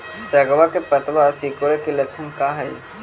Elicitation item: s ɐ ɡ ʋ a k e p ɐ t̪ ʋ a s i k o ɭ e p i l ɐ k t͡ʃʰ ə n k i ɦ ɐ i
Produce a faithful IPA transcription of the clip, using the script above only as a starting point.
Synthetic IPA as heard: s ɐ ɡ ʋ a k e p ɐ t̪ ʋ a s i k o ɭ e k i l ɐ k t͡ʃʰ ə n k a ɦ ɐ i

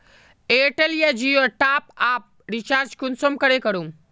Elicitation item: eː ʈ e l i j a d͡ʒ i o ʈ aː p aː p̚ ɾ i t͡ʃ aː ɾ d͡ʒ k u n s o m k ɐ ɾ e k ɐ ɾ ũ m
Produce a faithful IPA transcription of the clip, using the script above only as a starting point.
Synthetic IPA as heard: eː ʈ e l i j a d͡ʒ i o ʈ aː p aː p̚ ɾ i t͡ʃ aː ɾ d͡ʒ k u n s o m k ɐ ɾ e k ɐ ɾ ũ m

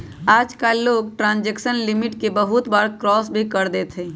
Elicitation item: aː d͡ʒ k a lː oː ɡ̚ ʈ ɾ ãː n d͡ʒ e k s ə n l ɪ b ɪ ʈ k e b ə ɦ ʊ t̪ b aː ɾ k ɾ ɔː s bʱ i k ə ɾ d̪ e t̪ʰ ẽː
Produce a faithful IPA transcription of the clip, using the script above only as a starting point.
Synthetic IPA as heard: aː d͡ʒ k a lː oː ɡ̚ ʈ ɾ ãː n d͡ʒ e k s ə n l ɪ m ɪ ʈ k e b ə ɦ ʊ t̪ b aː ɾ k ɾ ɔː s bʱ i k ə ɾ d̪ e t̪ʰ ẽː

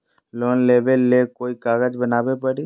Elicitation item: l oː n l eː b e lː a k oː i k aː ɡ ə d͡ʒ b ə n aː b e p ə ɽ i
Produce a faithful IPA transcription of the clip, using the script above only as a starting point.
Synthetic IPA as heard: l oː n l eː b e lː e k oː i k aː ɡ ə d͡ʒ b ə n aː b e p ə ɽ i

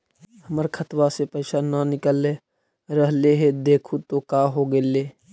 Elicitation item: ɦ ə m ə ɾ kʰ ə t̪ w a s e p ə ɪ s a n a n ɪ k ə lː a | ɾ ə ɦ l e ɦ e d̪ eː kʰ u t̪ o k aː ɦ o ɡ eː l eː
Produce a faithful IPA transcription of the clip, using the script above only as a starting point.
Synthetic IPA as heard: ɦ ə m ə ɾ kʰ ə t̪ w a s e p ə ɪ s a n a n ɪ k ə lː e | ɾ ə ɦ l e ɦ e d̪ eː kʰ u t̪ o k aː ɦ o ɡ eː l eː

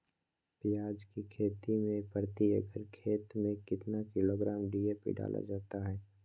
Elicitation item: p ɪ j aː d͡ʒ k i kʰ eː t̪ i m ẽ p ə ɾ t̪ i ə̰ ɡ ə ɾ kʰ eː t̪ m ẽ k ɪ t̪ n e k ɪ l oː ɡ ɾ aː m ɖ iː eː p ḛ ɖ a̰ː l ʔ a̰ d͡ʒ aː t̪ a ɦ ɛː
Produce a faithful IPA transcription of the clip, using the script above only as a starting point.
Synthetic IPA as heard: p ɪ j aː d͡ʒ k i kʰ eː t̪ i m ẽ p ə ɾ t̪ i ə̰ ɡ ə ɾ kʰ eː t̪ m ẽ k ɪ t̪ n a k ɪ l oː ɡ ɾ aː m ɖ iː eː p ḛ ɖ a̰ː l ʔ a̰ d͡ʒ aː t̪ a ɦ ɛː

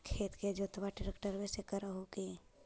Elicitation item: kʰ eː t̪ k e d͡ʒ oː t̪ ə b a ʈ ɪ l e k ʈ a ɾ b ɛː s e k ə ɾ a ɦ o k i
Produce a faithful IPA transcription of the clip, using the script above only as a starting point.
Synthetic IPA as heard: kʰ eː t̪ k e d͡ʒ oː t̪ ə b a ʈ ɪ ɾ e k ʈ ə ɾ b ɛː s e k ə ɾ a ɦ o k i

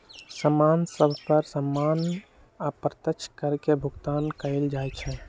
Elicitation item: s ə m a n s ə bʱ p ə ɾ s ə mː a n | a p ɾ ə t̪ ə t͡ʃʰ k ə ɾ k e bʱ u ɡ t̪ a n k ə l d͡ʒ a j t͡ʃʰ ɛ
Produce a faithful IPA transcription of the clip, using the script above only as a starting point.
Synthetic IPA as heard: s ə m a n s ə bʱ p ə ɾ s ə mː a n | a p ɾ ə t̪ ə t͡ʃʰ k ə ɾ k e bʱ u ɡ t̪ a n k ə l d͡ʒ a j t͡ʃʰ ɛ

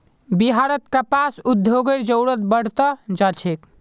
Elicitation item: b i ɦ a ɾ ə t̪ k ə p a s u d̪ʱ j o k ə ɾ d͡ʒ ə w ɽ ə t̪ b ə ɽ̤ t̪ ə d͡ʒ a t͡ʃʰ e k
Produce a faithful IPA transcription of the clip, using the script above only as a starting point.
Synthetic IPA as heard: b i ɦ a ɾ ə t̪ k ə p a s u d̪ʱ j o ɡ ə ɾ d͡ʒ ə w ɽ ə t̪ b ə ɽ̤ t̪ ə d͡ʒ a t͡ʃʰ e k

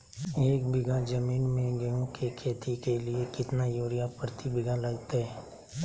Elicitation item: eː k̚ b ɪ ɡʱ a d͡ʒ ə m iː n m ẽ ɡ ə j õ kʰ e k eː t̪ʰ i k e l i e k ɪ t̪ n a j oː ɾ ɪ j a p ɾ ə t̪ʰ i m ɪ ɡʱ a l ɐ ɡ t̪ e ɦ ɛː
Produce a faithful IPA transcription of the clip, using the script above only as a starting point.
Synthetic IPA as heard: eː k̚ b ɪ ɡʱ a d͡ʒ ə m iː n m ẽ ɡ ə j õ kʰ e kʰ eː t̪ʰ i k e l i e k ɪ t̪ n a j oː ɾ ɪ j a p ɾ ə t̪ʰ i b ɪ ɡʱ a l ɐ ɡ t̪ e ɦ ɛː

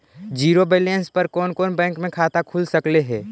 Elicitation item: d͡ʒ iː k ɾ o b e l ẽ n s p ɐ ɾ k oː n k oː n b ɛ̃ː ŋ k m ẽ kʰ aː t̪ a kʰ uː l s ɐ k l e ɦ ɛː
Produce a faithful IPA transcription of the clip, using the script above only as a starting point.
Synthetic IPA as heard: d͡ʒ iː ɾ o b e l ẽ n s p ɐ ɾ k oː n k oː n b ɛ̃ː ŋ k m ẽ kʰ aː t̪ a kʰ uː l s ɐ k l e ɦ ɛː

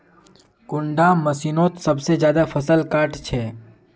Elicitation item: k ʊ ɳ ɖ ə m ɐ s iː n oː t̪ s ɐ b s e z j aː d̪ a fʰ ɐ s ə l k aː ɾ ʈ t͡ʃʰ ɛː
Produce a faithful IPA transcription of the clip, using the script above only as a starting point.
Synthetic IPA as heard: k ʊ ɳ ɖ a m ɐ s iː n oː t̪ s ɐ b s e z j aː d̪ a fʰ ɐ s ə l k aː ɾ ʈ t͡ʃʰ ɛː

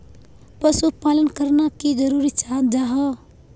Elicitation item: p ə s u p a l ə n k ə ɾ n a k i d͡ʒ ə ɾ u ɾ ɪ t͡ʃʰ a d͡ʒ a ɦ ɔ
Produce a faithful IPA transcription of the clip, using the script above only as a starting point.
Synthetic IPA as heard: p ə s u p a l ə n k ə ɾ n a k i d͡ʒ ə ɾ u ɾ i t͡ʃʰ a d͡ʒ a ɦ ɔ

